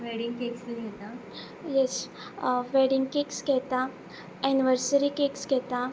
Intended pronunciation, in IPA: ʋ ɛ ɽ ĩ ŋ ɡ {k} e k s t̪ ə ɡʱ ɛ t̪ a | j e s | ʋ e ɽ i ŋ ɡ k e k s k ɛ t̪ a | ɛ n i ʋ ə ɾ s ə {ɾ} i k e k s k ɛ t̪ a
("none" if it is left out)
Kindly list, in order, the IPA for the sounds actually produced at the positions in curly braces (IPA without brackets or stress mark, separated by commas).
k, ɾ